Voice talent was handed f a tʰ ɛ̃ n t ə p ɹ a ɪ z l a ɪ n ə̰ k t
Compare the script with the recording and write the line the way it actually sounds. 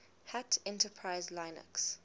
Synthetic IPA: h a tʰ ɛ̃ n t ə pʰ ɹ a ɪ z l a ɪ n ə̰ k s